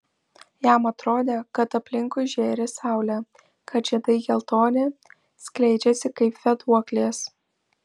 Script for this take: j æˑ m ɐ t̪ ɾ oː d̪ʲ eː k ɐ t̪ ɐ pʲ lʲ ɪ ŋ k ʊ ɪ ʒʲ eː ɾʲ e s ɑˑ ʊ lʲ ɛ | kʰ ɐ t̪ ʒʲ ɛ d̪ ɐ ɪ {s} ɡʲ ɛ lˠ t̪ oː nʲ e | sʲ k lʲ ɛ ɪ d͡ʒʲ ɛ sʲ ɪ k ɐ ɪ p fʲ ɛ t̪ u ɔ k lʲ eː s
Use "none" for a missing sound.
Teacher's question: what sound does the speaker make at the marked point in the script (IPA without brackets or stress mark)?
none